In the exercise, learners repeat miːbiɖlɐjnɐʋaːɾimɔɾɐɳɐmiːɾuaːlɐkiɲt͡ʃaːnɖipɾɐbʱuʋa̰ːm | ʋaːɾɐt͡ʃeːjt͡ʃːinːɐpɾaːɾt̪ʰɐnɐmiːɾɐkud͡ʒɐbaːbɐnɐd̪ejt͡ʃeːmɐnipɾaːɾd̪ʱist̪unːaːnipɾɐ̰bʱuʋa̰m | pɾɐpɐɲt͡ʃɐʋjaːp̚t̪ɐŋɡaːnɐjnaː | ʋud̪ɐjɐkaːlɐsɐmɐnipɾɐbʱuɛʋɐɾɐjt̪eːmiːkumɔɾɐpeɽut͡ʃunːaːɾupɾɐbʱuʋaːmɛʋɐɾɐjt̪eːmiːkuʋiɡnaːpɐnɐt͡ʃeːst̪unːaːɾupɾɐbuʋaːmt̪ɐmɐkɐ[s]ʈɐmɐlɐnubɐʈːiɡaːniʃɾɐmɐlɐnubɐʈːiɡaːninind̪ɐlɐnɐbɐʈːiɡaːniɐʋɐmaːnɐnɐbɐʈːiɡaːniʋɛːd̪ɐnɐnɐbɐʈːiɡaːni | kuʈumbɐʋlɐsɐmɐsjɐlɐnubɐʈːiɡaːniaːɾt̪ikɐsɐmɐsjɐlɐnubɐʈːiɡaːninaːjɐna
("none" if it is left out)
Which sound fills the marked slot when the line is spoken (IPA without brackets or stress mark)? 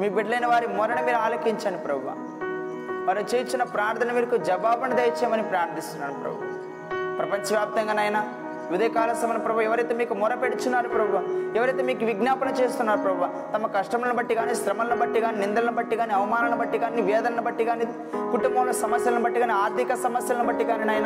ʂ